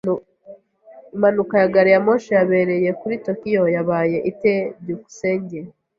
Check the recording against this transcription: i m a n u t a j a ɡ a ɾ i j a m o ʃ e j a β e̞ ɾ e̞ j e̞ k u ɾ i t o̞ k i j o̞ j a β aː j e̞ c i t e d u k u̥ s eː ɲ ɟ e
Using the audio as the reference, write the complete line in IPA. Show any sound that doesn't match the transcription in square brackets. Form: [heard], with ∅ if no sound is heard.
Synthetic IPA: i m a n u [k] a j a ɡ a ɾ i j a m o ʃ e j a β e̞ ɾ e̞ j e̞ k u ɾ i t o̞ k i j o̞ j a β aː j e̞ [ʔ] i t e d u k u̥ s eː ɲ ɟ e